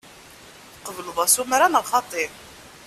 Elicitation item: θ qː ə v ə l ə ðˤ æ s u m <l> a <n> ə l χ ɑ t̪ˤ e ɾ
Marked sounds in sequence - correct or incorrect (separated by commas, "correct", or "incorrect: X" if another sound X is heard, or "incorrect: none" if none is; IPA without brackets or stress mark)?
incorrect: ɾ, correct